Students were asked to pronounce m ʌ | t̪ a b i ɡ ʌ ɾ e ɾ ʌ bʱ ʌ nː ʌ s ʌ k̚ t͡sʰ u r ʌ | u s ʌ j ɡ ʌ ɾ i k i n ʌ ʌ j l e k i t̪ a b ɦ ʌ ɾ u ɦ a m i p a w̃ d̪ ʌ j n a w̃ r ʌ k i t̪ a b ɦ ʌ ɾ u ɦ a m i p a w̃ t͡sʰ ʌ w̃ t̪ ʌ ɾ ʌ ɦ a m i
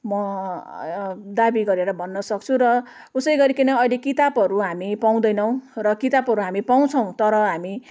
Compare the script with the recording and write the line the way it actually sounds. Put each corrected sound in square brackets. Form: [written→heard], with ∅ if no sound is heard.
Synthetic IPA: m ʌ | [t̪→d̪] a b i ɡ ʌ ɾ e ɾ ʌ bʱ ʌ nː ʌ s ʌ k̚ t͡sʰ u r ʌ | u s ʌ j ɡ ʌ ɾ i k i n ʌ ʌ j l e k i t̪ a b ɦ ʌ ɾ u ɦ a m i p a w̃ d̪ ʌ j n [a→ʌ] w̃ r ʌ k i t̪ a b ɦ ʌ ɾ u ɦ a m i p a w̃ t͡sʰ ʌ w̃ t̪ ʌ ɾ ʌ ɦ a m i